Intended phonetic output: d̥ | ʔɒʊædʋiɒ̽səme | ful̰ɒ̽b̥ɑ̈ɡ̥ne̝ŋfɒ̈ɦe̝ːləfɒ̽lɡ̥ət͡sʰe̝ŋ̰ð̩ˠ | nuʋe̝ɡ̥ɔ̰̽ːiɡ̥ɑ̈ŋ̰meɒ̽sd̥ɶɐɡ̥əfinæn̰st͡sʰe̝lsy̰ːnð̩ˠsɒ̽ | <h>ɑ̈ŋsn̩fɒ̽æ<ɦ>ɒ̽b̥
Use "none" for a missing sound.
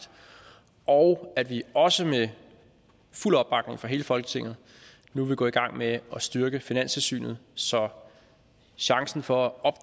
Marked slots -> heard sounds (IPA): ɕ, none

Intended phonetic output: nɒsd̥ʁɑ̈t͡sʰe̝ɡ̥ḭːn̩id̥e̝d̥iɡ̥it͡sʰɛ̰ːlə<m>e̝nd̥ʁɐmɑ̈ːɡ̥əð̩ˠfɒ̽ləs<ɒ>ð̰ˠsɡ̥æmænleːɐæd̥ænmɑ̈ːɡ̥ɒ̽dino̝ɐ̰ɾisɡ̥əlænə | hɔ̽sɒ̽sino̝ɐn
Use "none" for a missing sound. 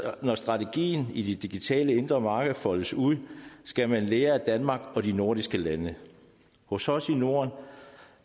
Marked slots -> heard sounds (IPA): none, u

